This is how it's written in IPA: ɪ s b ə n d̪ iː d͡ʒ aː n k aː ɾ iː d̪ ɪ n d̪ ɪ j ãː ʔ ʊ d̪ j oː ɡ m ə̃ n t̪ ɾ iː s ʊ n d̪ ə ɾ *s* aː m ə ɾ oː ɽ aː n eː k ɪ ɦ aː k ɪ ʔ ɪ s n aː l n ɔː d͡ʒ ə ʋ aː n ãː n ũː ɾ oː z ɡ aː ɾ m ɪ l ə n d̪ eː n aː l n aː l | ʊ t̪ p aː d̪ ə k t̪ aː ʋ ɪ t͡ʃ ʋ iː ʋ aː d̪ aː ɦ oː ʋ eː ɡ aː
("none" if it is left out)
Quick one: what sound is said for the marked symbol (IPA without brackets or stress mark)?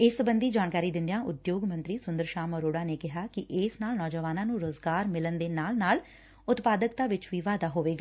ʃ